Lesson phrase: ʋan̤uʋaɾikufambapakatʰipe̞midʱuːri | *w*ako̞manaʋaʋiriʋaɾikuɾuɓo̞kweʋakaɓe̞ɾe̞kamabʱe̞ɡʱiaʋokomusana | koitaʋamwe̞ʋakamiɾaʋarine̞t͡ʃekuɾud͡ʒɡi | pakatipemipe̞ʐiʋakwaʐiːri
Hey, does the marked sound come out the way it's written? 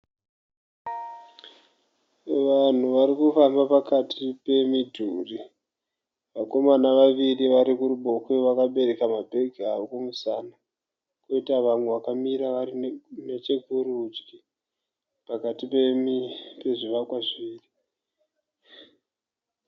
no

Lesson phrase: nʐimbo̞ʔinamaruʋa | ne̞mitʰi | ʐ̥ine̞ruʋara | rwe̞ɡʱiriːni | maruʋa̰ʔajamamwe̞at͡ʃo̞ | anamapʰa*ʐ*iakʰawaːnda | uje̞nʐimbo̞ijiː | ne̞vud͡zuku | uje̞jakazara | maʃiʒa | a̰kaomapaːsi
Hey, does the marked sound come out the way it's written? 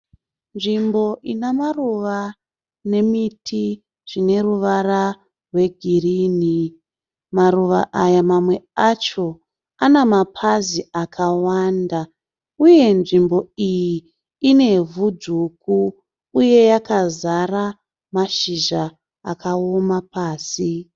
no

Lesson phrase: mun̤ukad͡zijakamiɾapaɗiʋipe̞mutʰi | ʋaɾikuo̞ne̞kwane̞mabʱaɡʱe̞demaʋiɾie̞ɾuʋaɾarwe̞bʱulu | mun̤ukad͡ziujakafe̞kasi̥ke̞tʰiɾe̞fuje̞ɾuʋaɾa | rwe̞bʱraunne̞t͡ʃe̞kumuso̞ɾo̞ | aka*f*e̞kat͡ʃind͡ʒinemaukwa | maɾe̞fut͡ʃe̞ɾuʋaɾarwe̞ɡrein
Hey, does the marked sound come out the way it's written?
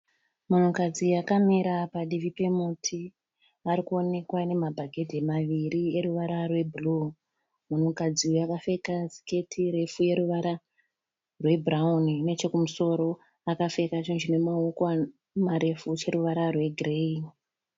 yes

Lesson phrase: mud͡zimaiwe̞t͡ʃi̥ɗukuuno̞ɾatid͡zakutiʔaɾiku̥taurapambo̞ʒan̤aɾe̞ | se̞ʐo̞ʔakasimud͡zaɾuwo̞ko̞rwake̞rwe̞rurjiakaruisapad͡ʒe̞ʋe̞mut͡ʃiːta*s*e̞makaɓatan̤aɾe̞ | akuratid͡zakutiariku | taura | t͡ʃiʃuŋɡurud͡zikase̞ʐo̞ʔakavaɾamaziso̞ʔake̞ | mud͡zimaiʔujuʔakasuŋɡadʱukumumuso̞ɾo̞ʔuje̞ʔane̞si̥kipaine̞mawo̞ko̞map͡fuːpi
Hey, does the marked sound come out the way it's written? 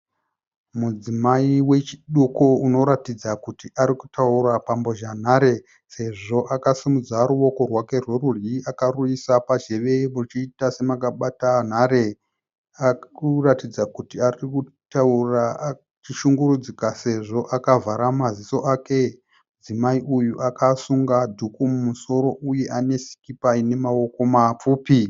yes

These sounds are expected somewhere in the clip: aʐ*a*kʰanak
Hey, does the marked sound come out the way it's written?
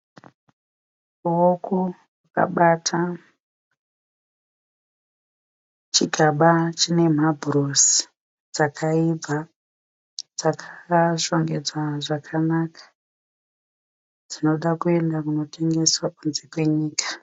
yes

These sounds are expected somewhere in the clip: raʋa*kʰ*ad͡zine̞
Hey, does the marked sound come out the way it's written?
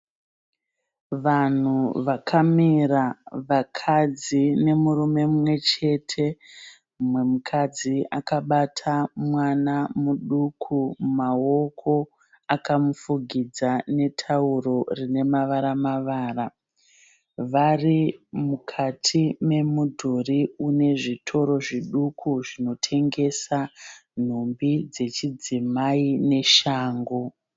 yes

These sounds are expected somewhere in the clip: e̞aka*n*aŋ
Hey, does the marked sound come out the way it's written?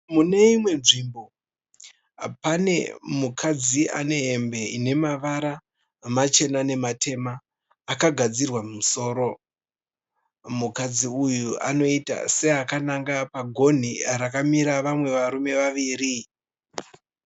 yes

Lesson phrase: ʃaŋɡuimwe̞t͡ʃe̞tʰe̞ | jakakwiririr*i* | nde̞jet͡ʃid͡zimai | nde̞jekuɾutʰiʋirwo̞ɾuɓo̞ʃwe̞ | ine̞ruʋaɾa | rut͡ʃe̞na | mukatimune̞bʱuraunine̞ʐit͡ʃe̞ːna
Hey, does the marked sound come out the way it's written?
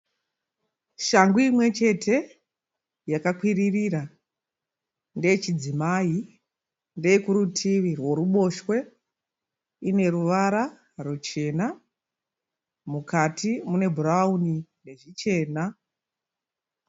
no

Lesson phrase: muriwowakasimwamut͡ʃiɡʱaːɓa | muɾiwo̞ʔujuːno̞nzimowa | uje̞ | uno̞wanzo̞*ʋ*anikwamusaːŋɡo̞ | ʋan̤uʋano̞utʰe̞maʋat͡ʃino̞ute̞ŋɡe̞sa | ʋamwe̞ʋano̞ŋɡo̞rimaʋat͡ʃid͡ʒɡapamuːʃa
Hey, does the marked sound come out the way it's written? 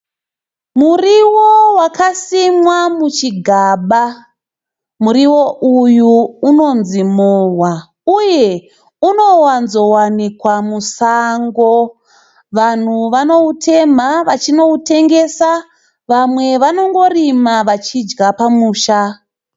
no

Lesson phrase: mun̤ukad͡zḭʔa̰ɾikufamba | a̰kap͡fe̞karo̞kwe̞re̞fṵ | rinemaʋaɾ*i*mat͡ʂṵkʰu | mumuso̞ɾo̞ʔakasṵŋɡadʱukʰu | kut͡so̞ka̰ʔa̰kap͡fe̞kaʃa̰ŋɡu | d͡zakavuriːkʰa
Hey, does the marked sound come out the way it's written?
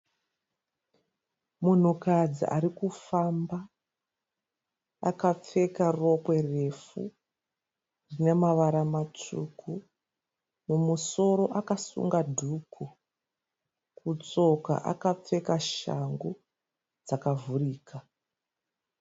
no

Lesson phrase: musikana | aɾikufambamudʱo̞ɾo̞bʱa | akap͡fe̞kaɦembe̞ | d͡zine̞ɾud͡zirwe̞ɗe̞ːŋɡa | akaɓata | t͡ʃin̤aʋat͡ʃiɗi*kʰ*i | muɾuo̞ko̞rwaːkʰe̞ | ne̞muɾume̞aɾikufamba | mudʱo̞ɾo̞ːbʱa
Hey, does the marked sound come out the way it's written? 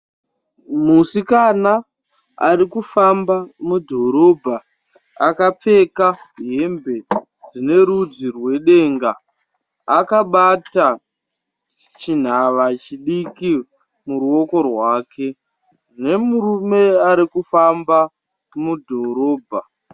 no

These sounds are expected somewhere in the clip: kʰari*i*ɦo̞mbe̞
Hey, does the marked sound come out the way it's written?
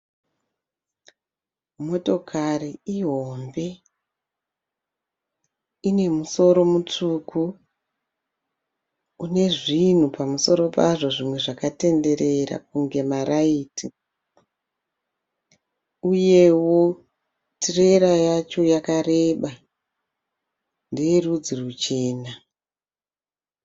yes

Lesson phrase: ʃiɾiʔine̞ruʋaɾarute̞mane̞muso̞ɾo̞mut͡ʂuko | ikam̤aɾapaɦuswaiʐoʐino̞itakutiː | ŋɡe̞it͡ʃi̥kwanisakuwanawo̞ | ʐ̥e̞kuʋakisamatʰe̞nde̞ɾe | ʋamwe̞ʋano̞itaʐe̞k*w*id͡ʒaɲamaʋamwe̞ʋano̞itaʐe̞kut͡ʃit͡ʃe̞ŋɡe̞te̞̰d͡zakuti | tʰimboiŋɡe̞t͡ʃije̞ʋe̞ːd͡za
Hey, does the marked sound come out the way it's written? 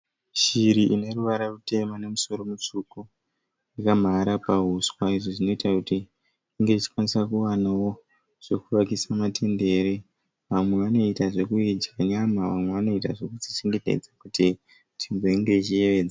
no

